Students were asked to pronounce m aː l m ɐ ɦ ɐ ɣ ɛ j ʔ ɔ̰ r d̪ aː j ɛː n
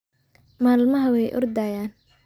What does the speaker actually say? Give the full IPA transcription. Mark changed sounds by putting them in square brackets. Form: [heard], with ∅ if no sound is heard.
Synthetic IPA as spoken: m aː l m ɐ ɦ ɐ [w] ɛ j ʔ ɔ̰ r d̪ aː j [aː] n